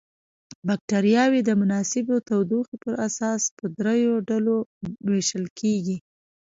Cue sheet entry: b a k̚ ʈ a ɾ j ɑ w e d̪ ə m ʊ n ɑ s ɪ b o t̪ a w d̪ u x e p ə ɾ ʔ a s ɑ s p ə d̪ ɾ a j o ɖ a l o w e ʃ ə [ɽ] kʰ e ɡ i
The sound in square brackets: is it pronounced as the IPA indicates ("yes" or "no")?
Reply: no